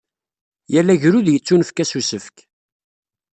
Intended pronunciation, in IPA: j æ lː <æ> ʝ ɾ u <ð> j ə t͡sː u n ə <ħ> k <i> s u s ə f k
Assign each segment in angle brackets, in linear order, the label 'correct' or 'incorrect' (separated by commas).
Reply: correct, correct, incorrect, incorrect